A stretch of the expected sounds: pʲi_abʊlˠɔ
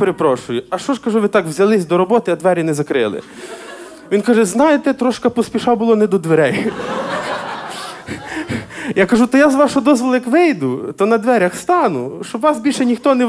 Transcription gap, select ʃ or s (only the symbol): ʃ